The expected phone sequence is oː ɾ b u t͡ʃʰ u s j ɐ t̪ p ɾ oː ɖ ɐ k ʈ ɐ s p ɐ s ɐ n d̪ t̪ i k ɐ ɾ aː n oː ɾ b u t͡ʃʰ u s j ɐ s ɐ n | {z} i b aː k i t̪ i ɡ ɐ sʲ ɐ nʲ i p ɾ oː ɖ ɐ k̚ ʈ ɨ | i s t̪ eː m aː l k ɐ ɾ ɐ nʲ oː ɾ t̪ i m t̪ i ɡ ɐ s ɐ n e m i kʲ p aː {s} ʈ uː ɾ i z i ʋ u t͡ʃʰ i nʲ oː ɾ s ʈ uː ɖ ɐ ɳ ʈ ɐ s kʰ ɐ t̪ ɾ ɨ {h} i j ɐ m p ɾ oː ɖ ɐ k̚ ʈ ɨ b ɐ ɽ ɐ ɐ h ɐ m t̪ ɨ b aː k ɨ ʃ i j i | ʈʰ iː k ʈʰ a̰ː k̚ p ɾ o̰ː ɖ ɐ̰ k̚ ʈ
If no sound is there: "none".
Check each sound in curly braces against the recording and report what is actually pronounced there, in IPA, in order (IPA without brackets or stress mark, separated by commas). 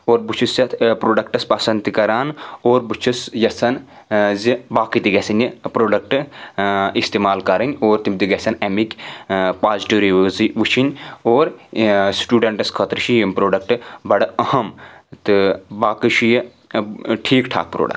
z, z, ʃ